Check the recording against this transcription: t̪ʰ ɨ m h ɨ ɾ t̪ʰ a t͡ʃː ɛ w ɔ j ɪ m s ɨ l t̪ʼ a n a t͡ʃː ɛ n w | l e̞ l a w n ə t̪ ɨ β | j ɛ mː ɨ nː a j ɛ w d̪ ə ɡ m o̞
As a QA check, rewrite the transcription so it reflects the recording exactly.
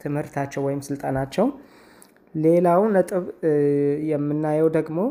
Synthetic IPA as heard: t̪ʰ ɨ m h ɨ ɾ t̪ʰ a t͡ʃː ɛ w ɔ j ɪ m s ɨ l t̪ʼ a n a t͡ʃː ɛ w | l e̞ l a w n ə t̪ʼ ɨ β | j ɛ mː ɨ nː a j ɛ w d̪ ə ɡ m o̞